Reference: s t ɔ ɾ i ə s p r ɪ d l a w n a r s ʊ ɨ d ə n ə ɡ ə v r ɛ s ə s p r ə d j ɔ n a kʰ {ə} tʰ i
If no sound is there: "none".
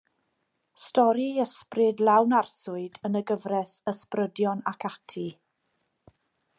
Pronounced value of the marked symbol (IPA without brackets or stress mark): a